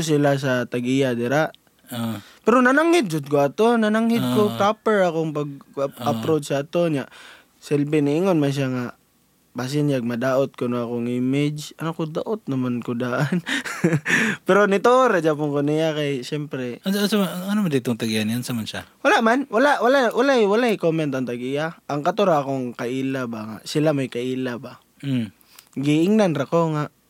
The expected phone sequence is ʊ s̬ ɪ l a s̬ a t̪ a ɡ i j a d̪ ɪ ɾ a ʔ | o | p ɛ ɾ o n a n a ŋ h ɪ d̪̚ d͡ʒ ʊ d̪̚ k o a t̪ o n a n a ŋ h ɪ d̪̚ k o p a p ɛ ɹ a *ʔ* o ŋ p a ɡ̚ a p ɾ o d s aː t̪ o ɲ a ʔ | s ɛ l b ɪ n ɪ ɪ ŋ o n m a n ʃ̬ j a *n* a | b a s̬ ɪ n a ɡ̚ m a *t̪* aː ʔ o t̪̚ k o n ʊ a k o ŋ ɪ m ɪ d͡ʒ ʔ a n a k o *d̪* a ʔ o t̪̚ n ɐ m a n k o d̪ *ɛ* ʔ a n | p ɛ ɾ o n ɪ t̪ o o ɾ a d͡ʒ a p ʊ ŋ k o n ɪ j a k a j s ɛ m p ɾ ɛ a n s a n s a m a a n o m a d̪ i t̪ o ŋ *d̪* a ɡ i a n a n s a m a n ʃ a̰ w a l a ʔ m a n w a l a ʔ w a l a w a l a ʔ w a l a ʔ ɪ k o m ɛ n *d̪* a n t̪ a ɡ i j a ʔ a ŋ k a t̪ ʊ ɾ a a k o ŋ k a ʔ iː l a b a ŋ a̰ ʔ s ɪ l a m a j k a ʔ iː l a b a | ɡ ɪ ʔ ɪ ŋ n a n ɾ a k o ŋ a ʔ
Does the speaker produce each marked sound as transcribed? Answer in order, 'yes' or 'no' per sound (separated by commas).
no, no, no, yes, no, no, no